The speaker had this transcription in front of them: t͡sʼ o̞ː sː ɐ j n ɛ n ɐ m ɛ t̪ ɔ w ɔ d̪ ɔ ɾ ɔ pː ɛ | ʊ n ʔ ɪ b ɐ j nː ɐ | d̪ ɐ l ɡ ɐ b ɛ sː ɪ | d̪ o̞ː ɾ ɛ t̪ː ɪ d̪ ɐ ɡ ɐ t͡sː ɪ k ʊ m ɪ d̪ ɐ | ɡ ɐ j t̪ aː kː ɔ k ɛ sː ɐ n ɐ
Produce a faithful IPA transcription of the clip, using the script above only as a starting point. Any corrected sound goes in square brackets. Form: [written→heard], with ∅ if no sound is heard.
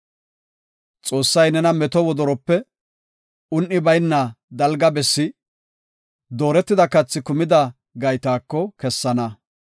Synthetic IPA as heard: t͡sʼ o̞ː sː ɐ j n ɛ n ɐ m ɛ t̪ ɔ w ɔ d̪ ɔ ɾ ɔ pː ɛ | ʊ n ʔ ɪ b ɐ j nː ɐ | d̪ ɐ l ɡ ɐ b ɛ sː ɪ | d̪ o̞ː ɾ ɛ t̪ː ɪ d̪ ɐ [ɡ→k] ɐ t͡sː ɪ k ʊ m ɪ d̪ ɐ | ɡ ɐ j t̪ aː kː ɔ k ɛ sː ɐ n ɐ